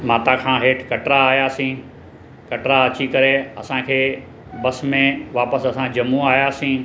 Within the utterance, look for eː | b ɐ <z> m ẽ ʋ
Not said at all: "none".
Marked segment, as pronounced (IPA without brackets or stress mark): s